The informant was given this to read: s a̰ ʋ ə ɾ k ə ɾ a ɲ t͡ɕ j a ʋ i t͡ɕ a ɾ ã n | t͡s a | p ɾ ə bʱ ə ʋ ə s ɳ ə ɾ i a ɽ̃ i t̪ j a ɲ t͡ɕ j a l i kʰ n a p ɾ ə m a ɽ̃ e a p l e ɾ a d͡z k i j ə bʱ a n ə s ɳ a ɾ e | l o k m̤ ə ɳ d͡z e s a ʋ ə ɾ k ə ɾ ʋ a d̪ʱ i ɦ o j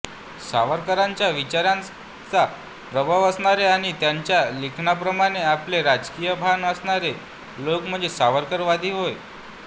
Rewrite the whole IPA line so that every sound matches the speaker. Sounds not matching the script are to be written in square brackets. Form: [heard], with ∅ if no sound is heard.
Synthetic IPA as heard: s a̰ ʋ ə ɾ k ə ɾ a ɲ t͡ɕ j a ʋ i t͡ɕ a ɾ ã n | t͡s a | p ɾ ə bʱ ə ʋ ə s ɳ [a] ɾ [e] a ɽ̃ i t̪ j a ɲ t͡ɕ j a l i kʰ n a p ɾ ə m a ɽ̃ e a p l e ɾ a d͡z k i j ə bʱ a n ə s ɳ a ɾ e | l o k m̤ ə ɳ d͡z e s a ʋ ə ɾ k ə ɾ ʋ a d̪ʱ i ɦ o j